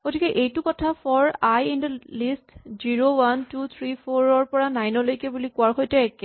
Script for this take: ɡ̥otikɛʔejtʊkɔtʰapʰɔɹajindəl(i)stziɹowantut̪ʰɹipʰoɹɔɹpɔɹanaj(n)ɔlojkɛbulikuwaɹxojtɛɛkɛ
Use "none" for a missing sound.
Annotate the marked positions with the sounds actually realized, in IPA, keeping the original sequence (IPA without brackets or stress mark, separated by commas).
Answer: i, n